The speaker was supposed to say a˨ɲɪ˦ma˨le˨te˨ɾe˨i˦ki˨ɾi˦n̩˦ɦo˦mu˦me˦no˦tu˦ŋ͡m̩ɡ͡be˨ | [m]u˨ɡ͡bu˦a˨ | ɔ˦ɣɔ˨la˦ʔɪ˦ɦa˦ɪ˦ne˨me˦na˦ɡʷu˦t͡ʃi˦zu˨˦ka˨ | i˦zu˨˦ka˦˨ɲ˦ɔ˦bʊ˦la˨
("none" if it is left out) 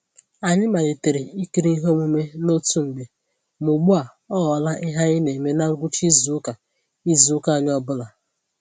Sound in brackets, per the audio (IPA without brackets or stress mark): m